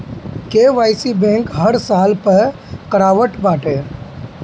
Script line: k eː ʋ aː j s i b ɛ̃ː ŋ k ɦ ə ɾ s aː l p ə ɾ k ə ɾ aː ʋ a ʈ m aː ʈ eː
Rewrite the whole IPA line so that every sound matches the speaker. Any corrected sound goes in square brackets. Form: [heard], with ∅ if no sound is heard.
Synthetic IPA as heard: k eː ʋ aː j s i b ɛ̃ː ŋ k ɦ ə ɾ s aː l p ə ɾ k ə ɾ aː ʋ [ə] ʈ [b] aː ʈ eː